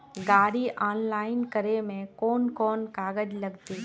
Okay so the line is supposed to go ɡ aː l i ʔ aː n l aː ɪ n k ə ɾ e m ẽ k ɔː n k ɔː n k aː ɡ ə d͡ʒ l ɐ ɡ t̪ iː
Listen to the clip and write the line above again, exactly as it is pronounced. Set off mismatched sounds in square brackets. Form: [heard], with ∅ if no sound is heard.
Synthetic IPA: ɡ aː [ɽ] i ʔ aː n l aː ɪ n k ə ɾ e m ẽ k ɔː n k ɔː n k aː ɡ ə d͡ʒ l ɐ ɡ t̪ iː